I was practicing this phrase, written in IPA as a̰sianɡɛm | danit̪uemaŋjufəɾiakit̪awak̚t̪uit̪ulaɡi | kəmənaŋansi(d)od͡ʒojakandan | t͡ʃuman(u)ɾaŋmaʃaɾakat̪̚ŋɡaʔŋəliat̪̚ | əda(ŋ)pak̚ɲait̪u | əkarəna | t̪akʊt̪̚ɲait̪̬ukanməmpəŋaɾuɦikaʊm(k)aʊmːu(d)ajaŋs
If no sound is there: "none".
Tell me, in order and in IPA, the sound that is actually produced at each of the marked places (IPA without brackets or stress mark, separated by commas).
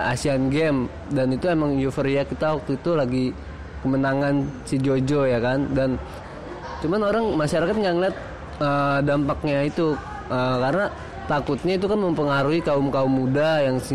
d͡ʒ, o, m, k, d